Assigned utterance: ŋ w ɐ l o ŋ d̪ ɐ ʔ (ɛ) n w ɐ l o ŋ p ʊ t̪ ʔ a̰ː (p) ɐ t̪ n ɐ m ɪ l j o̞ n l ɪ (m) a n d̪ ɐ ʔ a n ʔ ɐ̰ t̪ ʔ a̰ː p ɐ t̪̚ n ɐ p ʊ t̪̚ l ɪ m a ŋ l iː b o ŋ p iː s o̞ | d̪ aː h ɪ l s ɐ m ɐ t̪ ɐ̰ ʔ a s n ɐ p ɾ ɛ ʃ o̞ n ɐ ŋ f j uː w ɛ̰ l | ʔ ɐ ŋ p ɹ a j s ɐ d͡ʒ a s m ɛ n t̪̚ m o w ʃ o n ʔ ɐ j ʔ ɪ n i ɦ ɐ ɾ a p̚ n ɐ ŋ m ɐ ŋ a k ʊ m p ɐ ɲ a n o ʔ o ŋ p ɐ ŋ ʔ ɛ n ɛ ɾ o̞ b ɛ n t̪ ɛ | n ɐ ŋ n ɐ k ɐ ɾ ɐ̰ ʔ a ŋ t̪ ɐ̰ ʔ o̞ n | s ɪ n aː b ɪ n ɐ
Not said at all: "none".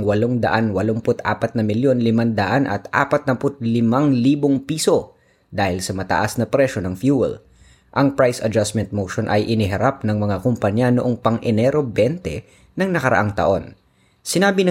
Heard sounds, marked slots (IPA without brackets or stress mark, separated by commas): a, p, m